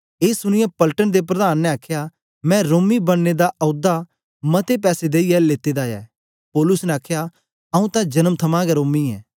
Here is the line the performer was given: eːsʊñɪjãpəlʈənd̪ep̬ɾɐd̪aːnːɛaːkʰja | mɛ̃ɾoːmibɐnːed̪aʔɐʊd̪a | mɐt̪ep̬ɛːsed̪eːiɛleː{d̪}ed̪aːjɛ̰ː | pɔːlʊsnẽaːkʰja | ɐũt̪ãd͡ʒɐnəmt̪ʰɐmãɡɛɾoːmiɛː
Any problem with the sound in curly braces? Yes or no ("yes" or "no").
yes